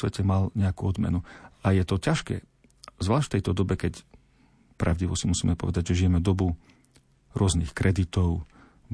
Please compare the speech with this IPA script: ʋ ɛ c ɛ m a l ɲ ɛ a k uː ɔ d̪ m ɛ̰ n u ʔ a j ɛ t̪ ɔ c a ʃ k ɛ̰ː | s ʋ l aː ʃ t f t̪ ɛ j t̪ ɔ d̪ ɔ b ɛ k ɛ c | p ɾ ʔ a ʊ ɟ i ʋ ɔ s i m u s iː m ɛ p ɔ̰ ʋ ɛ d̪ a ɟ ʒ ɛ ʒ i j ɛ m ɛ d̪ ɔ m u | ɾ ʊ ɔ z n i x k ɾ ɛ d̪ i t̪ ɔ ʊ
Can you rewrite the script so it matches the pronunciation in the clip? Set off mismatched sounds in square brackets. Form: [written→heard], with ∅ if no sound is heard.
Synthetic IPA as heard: ʋ ɛ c ɛ m a l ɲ ɛ a k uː ɔ d̪ m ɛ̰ n u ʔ a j ɛ t̪ ɔ c a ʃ k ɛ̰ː | [s→z] ʋ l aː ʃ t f t̪ ɛ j t̪ ɔ d̪ ɔ b ɛ k ɛ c | p ɾ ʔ a ʊ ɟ i ʋ ɔ s i m u s iː m ɛ p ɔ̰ ʋ ɛ d̪ a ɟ ʒ ɛ ʒ i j ɛ m ɛ d̪ ɔ [m→b] u | ɾ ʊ ɔ z n i x k ɾ ɛ d̪ i t̪ ɔ ʊ